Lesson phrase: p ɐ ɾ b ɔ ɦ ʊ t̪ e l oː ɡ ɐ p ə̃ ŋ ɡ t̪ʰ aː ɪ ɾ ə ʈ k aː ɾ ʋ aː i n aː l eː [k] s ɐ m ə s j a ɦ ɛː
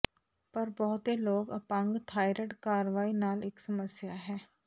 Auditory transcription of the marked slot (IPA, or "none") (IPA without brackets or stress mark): k